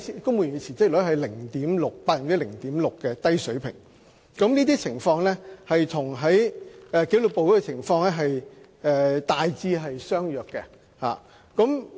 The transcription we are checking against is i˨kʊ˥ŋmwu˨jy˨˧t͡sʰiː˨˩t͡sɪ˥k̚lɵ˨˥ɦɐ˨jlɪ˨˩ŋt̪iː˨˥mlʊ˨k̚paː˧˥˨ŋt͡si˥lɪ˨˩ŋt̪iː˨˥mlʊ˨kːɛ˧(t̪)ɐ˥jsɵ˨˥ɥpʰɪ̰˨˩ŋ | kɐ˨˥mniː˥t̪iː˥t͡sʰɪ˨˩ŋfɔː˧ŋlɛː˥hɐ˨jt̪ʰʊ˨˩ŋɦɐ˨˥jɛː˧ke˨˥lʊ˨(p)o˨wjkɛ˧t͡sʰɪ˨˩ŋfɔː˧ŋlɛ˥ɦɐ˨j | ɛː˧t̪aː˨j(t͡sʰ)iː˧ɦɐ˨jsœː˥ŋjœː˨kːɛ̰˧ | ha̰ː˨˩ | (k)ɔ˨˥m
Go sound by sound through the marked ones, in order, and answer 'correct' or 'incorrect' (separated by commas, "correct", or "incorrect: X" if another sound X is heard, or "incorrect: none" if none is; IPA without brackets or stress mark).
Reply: correct, correct, incorrect: t͡s, correct